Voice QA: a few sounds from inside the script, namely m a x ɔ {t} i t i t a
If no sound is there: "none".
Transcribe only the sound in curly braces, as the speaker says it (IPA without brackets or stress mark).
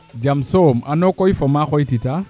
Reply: none